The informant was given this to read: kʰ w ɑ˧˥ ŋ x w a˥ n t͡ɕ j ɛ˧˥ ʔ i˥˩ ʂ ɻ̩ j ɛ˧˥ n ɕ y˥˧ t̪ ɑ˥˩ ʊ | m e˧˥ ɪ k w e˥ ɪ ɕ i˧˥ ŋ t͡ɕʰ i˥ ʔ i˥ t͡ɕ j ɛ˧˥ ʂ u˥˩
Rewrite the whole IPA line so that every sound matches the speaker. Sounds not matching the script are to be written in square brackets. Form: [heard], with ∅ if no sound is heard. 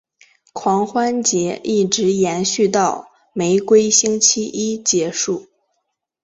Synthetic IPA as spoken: kʰ w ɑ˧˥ ŋ x w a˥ n t͡ɕ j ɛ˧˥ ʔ i˥˩ [ʈ͡ʂ] ɻ̩ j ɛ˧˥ n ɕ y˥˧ t̪ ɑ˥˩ ʊ | m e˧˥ ɪ k w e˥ ɪ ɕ [i˥] ŋ t͡ɕʰ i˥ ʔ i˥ t͡ɕ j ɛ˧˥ ʂ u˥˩